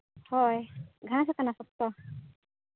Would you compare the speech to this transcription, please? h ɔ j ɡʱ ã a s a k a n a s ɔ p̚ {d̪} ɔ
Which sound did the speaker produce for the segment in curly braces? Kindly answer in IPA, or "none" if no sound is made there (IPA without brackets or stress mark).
t̪